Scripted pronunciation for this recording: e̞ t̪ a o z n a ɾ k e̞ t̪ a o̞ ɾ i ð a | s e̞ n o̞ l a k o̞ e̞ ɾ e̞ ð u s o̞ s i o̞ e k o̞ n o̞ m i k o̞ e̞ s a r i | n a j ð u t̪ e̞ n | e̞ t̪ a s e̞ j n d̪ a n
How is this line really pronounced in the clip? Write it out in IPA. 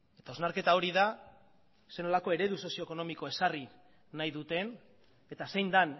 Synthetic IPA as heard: e̞ t̪ a o z n a ɾ k e̞ t̪ a o̞ ɾ i ð a | s e̞ n o̞ l a k o̞ e̞ ɾ e̞ ð u s o̞ s i o̞ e k o̞ n o̞ m i k o̞ e̞ s a r i | n a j ð u t̪ e̞ n | e̞ t̪ a s e̞ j n d̪ a n